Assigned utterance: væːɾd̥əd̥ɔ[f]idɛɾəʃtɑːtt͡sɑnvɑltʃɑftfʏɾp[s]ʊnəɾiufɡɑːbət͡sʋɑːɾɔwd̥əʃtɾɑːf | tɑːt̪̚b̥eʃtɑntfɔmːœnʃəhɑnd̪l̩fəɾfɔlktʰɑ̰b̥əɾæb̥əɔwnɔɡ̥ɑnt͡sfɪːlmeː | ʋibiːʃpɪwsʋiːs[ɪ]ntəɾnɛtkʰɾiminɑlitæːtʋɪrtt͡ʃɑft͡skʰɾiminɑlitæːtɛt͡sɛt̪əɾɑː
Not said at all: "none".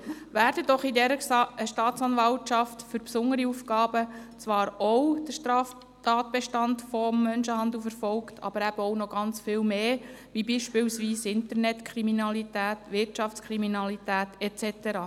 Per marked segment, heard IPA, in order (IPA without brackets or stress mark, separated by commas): χ, s, ɪ